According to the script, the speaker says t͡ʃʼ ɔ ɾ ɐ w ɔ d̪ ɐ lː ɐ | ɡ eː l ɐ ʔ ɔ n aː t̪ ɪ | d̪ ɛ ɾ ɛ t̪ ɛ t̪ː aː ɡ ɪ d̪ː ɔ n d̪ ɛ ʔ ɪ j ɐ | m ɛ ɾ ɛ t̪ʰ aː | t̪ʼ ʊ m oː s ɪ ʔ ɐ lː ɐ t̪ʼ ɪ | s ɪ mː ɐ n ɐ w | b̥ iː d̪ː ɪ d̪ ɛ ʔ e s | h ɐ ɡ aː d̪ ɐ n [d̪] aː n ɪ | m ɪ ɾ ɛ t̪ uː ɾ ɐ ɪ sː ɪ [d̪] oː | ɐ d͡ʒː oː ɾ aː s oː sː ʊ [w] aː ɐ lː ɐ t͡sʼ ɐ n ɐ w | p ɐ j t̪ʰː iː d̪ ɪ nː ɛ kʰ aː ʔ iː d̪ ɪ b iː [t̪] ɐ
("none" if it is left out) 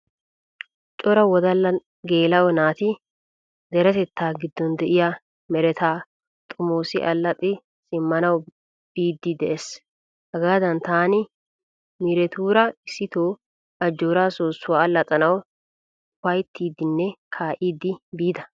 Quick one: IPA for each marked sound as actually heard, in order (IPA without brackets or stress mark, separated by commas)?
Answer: t̪, t̪, w, d̪